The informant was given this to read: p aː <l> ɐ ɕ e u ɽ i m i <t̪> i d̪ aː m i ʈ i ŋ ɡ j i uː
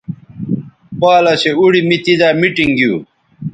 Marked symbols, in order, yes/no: yes, yes

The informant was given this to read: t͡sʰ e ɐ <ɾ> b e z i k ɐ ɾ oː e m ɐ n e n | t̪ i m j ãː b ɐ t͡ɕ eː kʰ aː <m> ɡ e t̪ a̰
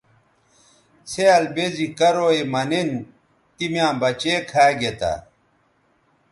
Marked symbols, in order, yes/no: no, no

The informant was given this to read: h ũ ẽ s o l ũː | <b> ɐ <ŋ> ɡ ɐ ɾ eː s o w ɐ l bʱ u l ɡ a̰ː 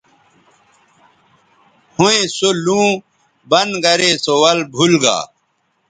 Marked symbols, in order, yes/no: yes, no

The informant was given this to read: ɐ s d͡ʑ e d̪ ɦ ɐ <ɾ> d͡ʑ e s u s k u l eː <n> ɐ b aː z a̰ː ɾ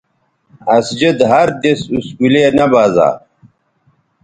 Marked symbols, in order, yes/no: yes, yes

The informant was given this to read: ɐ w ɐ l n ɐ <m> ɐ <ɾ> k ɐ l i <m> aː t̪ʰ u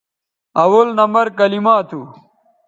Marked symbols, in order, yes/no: yes, yes, yes

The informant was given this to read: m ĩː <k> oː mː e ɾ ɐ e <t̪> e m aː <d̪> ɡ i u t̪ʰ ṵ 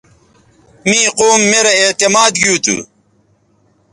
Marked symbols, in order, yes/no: no, yes, yes

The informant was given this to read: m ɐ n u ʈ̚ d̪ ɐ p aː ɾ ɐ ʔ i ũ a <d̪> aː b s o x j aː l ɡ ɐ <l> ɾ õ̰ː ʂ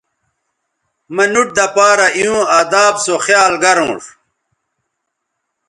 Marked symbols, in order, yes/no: yes, no

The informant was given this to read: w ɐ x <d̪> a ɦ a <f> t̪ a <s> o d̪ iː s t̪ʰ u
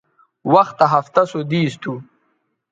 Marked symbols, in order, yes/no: no, yes, yes

